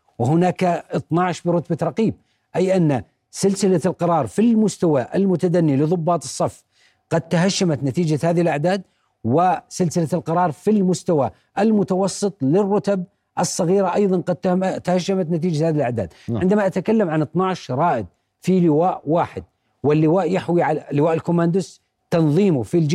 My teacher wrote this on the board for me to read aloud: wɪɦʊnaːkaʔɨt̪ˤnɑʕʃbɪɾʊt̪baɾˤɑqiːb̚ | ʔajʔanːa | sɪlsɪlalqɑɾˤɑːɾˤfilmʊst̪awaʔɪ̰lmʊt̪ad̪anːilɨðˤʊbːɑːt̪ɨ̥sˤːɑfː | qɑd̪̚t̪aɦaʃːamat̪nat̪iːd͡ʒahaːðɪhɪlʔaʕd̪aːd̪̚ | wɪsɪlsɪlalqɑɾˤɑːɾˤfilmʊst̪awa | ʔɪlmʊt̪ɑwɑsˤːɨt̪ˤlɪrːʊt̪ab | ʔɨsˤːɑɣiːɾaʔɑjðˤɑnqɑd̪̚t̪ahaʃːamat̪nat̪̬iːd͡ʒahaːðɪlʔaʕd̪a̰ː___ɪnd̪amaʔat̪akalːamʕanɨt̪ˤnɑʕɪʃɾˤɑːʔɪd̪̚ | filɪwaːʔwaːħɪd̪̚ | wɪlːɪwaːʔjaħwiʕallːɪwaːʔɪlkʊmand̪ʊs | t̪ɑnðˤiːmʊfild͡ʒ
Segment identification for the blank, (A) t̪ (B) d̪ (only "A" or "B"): B